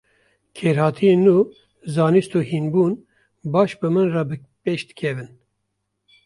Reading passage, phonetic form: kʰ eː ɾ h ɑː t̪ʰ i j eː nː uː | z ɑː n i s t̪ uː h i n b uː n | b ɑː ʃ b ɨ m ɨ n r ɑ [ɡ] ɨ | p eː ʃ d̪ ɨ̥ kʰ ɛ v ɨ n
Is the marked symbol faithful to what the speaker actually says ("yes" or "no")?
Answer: no